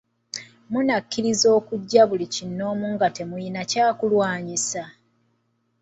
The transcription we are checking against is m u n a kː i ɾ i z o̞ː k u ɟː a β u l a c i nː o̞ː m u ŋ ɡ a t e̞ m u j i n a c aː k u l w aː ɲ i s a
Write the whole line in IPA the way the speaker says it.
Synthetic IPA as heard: m u n a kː i ɾ i z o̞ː k u ɟː a β u l i c i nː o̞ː m u ŋ ɡ a t e̞ m u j i n a c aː k u l w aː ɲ i s a